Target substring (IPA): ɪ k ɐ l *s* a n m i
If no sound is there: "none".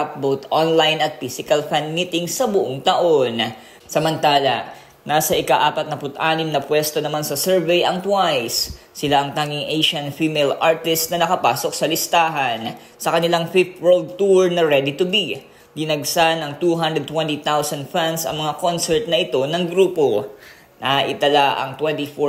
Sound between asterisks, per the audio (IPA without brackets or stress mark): f